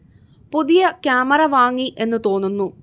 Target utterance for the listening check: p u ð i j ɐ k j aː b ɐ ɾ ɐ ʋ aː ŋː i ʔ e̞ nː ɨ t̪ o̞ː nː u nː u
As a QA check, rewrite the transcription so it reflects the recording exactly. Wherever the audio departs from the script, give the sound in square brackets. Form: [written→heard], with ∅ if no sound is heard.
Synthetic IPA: p u ð i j ɐ k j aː [b→m] ɐ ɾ ɐ ʋ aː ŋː i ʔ e̞ nː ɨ t̪ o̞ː nː u nː u

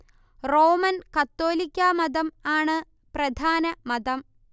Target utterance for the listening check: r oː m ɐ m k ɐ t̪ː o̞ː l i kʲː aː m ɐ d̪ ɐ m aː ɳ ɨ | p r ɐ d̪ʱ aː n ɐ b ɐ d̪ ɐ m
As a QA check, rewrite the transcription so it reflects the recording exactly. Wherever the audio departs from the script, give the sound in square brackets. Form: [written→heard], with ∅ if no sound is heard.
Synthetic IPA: r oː m ɐ [m→n] k ɐ t̪ː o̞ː l i kʲː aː m ɐ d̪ ɐ m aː ɳ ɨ | p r ɐ d̪ʱ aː n ɐ [b→m] ɐ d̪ ɐ m

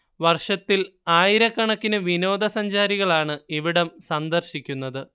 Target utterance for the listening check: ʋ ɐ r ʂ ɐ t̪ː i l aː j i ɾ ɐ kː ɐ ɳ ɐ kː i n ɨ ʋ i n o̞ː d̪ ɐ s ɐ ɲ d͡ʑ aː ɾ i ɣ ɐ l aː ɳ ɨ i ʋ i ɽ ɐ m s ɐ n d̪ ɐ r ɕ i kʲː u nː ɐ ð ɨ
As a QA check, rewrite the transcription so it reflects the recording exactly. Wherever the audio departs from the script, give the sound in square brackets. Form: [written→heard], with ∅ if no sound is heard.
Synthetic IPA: ʋ ɐ r ʂ ɐ t̪ː i l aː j i ɾ ɐ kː ɐ ɳ ɐ kː i n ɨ ʋ i n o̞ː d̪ ɐ s ɐ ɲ d͡ʑ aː ɾ i ɣ ɐ [l→ɭ] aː ɳ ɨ i ʋ i ɽ ɐ m s ɐ n d̪ ɐ r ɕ i kʲː u nː ɐ ð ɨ

